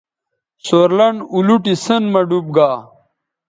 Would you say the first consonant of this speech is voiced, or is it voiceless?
voiceless